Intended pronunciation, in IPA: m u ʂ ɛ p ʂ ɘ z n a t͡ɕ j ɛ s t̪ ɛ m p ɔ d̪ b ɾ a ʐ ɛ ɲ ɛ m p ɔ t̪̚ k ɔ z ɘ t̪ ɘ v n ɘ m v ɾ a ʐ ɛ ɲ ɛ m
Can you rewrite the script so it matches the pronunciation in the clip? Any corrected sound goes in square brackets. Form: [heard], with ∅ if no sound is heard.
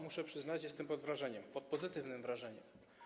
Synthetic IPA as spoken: m u ʂ ɛ p ʂ ɘ z n a t͡ɕ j ɛ s t̪ ɛ m p ɔ d̪ [v] ɾ a ʐ ɛ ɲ ɛ m p ɔ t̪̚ [p] ɔ z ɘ t̪ ɘ v n ɘ m v ɾ a ʐ ɛ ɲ ɛ m